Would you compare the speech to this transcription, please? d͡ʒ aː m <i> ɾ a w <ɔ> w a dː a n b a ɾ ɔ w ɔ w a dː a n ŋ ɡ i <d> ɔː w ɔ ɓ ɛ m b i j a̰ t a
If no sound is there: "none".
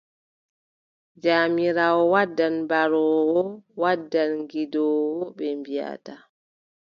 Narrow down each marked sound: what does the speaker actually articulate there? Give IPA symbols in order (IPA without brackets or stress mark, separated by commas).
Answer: i, ɔ, d